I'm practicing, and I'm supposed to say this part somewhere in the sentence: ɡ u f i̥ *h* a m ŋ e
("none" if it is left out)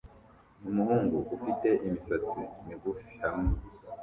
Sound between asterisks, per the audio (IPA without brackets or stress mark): h